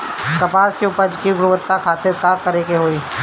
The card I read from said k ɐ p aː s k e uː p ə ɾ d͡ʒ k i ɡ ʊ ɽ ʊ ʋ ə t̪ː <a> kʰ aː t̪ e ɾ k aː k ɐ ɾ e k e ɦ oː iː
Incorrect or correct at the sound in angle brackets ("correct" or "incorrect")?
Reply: correct